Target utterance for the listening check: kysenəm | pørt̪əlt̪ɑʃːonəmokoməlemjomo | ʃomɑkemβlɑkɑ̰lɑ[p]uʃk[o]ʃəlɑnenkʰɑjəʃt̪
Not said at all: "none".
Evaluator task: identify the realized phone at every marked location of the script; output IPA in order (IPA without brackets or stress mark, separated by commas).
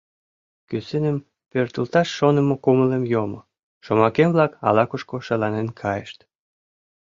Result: k, o